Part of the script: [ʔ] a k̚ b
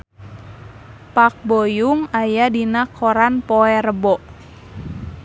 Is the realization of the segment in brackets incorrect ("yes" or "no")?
yes